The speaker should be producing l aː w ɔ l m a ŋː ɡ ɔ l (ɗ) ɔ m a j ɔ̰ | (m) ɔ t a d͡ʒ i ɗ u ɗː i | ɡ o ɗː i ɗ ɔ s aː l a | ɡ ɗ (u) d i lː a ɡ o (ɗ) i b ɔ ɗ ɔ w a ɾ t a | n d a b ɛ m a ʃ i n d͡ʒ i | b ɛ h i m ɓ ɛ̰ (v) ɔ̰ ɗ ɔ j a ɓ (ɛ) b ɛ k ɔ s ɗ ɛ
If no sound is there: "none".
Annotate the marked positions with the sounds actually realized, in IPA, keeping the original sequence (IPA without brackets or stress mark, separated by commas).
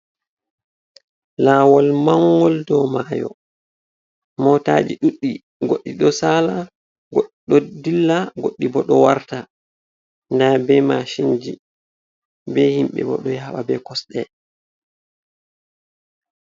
d, m, ɔ, ɗː, b, a